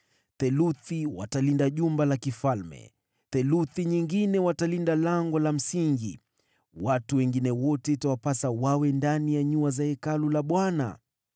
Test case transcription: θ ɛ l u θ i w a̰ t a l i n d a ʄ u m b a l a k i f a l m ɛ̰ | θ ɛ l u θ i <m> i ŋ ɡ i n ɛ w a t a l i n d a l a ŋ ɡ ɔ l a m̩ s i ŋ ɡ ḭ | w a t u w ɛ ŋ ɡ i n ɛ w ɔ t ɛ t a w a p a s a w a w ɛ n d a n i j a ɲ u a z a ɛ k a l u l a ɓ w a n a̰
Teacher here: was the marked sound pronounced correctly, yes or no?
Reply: no